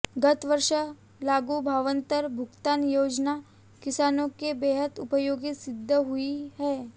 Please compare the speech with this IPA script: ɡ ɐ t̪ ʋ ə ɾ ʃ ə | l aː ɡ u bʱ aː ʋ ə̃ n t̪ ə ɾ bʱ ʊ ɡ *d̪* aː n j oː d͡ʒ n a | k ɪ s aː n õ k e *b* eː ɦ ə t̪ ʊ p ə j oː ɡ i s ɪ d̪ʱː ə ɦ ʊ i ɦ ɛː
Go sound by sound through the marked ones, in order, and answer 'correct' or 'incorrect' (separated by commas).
incorrect, correct